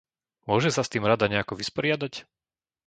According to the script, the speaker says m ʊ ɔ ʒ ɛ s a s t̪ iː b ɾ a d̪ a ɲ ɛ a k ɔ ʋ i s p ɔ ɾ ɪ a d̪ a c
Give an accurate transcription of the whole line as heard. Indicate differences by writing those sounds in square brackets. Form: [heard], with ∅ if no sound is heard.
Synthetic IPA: m ʊ ɔ ʒ ɛ s a s t̪ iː [m] ɾ a d̪ a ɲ ɛ a k ɔ ʋ i s p ɔ ɾ ɪ a d̪ a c